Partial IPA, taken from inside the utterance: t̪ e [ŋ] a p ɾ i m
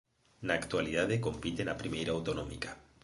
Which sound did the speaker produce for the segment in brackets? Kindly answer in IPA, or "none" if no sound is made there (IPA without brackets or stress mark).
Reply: n